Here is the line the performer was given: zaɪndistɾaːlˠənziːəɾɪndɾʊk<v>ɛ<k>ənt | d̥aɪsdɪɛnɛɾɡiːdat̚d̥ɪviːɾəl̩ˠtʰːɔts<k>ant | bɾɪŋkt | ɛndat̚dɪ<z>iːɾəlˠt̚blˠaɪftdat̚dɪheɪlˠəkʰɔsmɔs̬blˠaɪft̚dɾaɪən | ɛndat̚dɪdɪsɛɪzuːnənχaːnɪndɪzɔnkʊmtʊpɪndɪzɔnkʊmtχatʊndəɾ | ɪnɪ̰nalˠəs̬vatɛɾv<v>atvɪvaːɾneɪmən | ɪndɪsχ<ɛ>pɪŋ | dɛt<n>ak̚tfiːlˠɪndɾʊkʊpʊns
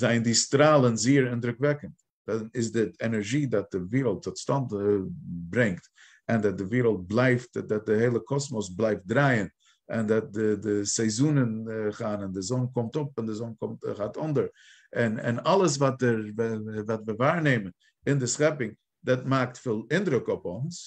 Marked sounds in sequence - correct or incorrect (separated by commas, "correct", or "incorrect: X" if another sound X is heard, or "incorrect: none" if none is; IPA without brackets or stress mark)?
correct, correct, incorrect: t, incorrect: v, correct, correct, incorrect: m